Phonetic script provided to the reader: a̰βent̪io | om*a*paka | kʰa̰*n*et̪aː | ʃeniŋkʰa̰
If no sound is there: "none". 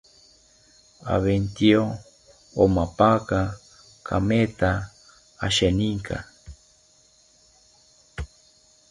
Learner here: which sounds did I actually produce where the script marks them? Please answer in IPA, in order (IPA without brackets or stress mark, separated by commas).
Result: a, m